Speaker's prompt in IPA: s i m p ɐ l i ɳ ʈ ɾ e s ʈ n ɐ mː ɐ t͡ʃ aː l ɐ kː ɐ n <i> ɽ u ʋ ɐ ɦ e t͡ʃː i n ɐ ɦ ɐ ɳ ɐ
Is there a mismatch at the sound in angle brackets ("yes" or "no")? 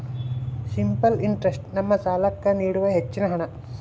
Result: yes